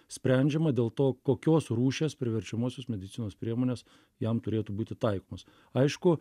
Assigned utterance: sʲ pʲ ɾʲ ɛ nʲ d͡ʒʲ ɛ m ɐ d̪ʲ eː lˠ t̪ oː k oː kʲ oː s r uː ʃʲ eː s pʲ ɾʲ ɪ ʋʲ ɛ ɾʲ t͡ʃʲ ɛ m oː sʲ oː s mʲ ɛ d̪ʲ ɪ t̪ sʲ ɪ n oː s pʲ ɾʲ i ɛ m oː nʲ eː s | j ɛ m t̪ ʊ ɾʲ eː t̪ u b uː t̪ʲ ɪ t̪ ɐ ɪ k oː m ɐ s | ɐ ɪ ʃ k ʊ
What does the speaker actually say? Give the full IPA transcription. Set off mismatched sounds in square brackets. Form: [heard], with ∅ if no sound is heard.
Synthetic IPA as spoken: sʲ pʲ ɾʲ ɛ nʲ d͡ʒʲ ɛ m ɐ d̪ʲ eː lˠ t̪ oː k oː kʲ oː s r uː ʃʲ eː s pʲ ɾʲ ɪ ʋʲ ɛ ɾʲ t͡ʃʲ ɛ m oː sʲ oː s mʲ ɛ d̪ʲ ɪ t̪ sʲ ɪ n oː s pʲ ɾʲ i ɛ m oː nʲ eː s | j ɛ m t̪ ʊ ɾʲ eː t̪ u b uː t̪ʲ ɪ t̪ ɐ ɪ k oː m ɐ s | ɐ ɪ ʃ k ʊ